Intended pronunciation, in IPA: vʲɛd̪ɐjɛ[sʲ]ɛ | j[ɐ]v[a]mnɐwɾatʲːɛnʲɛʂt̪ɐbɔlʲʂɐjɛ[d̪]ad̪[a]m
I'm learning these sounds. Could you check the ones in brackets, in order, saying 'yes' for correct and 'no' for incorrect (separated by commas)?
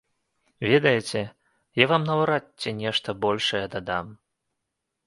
no, no, yes, yes, yes